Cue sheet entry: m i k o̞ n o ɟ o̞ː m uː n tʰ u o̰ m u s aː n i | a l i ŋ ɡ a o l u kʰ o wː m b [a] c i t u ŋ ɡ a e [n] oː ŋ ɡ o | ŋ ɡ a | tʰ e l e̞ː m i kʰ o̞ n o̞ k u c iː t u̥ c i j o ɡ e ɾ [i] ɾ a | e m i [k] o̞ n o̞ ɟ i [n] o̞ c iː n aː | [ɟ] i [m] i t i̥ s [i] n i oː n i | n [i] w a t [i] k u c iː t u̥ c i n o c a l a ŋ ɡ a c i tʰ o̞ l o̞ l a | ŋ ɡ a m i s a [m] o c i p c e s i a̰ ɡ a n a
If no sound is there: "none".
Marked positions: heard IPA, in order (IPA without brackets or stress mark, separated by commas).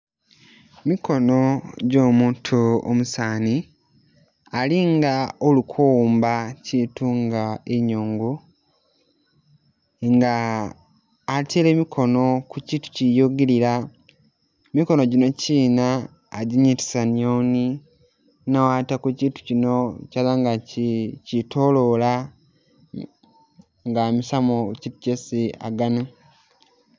a, ɲ, i, k, n, ɟ, ɲ, a, a, a, m